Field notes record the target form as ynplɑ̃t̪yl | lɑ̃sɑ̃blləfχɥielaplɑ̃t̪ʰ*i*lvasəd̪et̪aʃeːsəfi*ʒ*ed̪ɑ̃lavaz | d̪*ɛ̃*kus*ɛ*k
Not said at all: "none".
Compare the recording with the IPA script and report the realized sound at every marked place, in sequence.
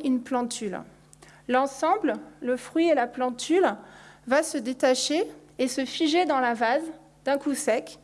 y, ʒ, ɛ̃, ɛ

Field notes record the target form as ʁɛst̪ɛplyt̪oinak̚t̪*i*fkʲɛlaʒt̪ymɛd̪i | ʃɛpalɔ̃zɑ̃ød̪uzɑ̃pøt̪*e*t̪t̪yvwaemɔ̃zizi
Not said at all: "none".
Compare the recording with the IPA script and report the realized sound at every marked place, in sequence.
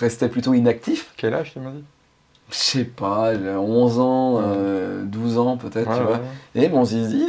i, ɛ

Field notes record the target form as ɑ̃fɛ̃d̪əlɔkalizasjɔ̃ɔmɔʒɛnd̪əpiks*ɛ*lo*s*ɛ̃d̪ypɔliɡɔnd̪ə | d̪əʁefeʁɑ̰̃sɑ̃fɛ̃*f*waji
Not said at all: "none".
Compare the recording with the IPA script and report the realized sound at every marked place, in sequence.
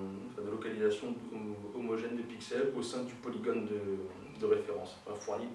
ɛ, s, f

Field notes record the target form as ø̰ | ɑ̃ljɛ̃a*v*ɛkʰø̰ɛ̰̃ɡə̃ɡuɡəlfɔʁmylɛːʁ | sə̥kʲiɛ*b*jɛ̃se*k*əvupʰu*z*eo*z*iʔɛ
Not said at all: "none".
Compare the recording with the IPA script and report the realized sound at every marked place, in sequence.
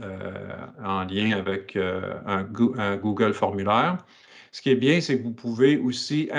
v, b, k, v, s

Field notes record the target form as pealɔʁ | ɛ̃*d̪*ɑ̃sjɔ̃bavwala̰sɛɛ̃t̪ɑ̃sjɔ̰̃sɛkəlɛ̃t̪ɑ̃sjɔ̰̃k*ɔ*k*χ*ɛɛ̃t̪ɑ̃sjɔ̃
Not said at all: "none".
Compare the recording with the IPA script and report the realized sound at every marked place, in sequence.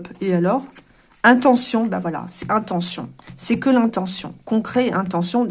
t̪, ɔ̃, χ

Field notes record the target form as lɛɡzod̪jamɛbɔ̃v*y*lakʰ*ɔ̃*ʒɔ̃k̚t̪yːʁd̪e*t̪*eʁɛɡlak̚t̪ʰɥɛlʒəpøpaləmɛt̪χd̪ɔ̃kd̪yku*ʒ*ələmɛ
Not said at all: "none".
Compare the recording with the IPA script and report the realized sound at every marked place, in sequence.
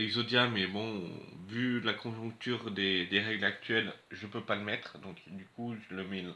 y, ɔ̃, d̪, ʒ

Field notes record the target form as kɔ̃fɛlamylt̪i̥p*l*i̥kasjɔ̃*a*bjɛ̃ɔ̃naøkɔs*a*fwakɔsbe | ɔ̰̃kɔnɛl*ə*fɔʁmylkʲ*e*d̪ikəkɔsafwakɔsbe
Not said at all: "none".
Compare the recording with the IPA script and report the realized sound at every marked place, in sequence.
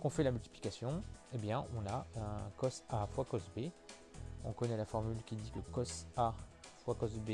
l, e, a, a, i

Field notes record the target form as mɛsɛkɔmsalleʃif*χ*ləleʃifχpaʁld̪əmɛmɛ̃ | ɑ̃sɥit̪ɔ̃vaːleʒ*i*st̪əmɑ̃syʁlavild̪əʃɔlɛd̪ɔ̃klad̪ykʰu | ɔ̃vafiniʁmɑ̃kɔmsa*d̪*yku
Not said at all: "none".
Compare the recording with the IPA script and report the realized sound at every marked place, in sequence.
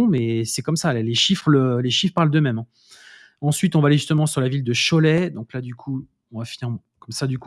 χ, y, d̪

